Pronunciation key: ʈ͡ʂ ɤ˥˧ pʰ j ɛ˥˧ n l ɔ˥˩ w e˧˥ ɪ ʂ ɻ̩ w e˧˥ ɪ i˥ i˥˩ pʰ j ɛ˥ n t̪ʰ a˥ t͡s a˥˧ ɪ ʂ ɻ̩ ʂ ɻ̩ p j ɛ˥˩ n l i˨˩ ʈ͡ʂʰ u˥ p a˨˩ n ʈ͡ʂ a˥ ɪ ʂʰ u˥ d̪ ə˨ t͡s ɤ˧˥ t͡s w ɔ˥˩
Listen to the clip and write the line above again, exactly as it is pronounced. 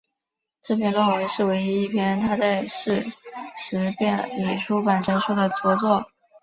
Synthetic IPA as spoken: ʈ͡ʂ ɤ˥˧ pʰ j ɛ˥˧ n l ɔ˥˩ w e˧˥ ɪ ʂ ɻ̩ w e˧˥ ɪ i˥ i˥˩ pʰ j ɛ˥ n t̪ʰ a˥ t͡s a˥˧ ɪ ʂ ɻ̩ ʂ ɻ̩ p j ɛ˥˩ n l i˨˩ ʈ͡ʂʰ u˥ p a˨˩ n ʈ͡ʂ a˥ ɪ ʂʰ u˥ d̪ ə˨ t͡s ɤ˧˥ t͡s w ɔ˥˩